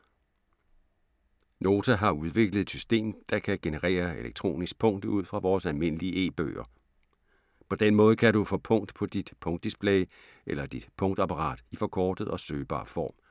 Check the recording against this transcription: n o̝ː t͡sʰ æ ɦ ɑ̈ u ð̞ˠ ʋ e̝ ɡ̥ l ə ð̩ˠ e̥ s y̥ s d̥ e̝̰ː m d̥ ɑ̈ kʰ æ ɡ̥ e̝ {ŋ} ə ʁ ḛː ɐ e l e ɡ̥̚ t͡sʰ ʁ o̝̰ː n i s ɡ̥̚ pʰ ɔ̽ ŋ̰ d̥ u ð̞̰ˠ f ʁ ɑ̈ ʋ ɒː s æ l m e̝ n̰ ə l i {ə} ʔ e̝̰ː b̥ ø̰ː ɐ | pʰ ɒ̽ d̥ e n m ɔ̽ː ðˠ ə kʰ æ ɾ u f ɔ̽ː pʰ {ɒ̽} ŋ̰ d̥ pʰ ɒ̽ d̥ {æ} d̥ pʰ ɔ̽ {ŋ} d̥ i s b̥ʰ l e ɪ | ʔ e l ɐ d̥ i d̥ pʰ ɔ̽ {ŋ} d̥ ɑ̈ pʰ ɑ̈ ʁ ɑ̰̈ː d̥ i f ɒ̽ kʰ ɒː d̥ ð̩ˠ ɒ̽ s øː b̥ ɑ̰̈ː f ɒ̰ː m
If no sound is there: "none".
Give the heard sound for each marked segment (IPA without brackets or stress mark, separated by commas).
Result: n, ə, ɔ̽, i, ŋ, ŋ